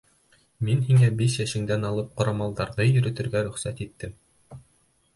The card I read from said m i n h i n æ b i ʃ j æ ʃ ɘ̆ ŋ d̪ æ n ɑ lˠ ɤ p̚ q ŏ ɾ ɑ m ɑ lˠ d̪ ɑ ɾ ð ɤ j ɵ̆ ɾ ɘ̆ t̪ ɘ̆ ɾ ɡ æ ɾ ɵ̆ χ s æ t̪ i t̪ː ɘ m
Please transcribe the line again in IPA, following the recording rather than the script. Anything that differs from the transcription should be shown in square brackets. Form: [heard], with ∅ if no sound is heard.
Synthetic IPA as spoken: m i n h i [ŋ] æ b i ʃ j æ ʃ ɘ̆ ŋ d̪ æ n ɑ lˠ ɤ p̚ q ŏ ɾ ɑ m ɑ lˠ d̪ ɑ ɾ ð ɤ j ɵ̆ ɾ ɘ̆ t̪ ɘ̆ ɾ ɡ æ ɾ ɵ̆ χ s æ t̪ i t̪ː ɘ m

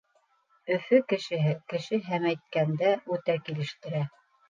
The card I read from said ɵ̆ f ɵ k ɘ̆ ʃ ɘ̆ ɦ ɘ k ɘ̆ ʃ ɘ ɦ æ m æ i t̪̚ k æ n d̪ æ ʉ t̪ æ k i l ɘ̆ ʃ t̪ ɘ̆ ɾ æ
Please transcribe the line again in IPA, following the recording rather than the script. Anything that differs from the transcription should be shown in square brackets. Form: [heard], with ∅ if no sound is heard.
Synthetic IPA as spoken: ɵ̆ f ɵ k ɘ̆ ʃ ɘ̆ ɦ ɘ k ɘ̆ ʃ ɘ ɦ æ m æ [j] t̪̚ k æ n d̪ æ ʉ t̪ æ k i l ɘ̆ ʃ t̪ ɘ̆ ɾ æ

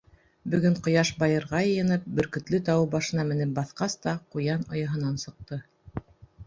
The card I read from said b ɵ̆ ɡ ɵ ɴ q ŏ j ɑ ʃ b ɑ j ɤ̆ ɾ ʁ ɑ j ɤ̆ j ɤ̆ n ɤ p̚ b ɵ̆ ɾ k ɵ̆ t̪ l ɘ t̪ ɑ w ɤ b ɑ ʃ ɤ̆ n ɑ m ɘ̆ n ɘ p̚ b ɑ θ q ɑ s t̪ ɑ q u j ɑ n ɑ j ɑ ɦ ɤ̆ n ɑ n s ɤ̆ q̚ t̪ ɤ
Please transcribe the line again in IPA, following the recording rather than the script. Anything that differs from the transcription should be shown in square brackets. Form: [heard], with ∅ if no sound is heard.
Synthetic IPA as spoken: b ɵ̆ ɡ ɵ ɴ q ŏ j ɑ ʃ b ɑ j ɤ̆ ɾ ʁ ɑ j ɤ̆ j ɤ̆ n ɤ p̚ b ɵ̆ ɾ k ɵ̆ t̪ l ɘ t̪ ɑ w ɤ b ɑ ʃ ɤ̆ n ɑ m ɘ̆ n ɘ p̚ b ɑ θ q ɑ s t̪ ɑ q u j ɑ n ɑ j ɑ ɦ ɤ̆ n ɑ n s ɤ̆ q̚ t̪ ɤ

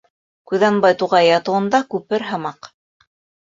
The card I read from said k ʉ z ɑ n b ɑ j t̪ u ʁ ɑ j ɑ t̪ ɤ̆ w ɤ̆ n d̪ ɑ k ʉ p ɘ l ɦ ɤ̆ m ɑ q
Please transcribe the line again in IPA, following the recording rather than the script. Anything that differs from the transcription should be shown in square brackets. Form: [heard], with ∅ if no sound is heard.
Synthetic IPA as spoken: k ʉ [ð] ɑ n b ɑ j t̪ u ʁ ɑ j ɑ t̪ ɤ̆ w ɤ̆ n d̪ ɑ k ʉ p ɘ [ɾ] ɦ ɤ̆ m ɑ q

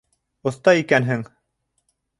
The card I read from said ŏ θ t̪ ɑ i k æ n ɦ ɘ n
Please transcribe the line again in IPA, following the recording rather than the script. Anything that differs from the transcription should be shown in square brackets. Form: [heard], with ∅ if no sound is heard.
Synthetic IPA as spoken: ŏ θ t̪ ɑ i k æ n ɦ ɘ [ŋ]

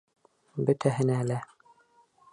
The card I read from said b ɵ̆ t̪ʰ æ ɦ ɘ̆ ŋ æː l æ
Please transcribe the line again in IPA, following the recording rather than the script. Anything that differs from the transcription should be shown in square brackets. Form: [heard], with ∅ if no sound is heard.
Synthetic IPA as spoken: b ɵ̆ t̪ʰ æ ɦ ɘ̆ [n] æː l æ

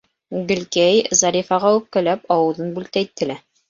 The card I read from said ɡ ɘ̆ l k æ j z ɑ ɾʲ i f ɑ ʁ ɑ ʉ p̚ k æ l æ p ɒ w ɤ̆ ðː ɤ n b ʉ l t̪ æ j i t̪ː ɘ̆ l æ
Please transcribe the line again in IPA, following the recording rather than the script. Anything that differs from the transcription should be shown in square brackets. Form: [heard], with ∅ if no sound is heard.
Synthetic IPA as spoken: ɡ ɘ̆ l k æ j z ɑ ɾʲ i f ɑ ʁ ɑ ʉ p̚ k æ l æ p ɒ w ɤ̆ [ð] ɤ n b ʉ l t̪ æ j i t̪ː ɘ̆ l æ

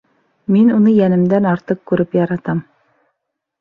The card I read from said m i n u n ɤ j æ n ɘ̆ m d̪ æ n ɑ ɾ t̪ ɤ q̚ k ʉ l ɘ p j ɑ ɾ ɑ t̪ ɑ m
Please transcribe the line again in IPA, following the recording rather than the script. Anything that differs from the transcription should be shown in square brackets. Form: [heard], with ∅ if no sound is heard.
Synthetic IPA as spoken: m i n u n ɤ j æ n ɘ̆ m d̪ æ n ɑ ɾ t̪ ɤ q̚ k ʉ [ɾ] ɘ p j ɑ ɾ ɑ t̪ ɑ m

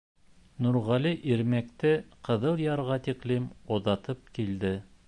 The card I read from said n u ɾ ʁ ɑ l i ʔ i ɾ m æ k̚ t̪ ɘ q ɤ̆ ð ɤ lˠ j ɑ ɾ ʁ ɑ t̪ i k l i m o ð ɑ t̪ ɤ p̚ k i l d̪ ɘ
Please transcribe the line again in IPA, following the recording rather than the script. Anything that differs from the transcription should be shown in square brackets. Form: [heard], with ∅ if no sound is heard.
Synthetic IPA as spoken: n u ɾ ʁ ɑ l i ʔ i ɾ m æ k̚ t̪ ɘ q ɤ̆ ð ɤ lˠ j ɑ ɾ ʁ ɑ t̪ i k l i m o ð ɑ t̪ ɤ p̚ k i l d̪ ɘ

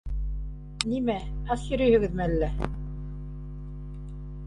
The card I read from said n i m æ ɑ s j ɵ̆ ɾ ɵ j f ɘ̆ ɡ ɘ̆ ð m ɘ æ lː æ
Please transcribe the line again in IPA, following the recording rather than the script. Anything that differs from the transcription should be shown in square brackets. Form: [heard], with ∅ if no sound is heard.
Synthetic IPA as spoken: n i m æ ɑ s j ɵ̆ ɾ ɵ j [h] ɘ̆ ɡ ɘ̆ ð m ɘ æ lː æ

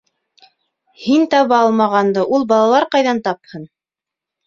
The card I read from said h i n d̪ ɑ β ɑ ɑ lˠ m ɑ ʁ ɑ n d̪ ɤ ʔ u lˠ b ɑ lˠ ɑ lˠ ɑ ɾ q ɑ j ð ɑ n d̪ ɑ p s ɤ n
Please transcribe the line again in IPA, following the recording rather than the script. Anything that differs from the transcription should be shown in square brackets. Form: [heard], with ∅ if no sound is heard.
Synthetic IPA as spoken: h i n [t̪] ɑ β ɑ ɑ lˠ m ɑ ʁ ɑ n d̪ ɤ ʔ u lˠ b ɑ lˠ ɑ lˠ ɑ ɾ q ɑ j ð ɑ n [t̪] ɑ p [h] ɤ n

